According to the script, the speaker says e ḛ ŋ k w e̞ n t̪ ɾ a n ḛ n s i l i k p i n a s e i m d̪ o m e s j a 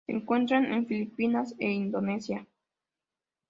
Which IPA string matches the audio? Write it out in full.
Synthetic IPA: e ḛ ŋ k w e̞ n t̪ ɾ a n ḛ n f i l i p i n a s e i n d̪ o n e s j a